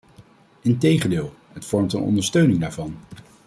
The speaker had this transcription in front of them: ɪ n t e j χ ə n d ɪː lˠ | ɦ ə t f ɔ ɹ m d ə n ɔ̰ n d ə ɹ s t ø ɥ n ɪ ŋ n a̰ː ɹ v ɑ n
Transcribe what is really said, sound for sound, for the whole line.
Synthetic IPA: ɪ n t e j χ ə n d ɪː lˠ | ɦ ə t f ɔ ɹ m t ə n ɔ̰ n d ə ɹ s t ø ɥ n ɪ ŋ d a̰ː ɹ v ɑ n